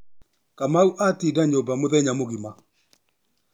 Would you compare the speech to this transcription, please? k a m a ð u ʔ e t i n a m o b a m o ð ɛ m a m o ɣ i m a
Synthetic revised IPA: k a m a u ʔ a t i d a ɲ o b a m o ð ɛ ɲ a m o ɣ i m a